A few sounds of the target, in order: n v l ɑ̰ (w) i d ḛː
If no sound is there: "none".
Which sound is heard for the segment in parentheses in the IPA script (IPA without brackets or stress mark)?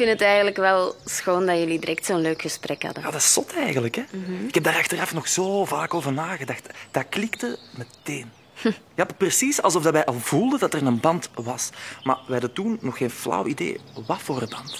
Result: w